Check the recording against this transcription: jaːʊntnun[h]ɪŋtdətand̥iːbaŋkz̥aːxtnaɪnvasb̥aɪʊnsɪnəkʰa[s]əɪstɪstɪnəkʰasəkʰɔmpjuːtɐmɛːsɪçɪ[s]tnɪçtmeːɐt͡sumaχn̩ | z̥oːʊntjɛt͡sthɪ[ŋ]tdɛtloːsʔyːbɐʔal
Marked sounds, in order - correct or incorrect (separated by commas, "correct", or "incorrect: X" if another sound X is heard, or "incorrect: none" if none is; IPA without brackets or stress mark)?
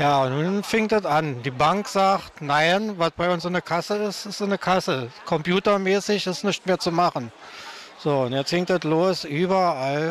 incorrect: f, correct, correct, correct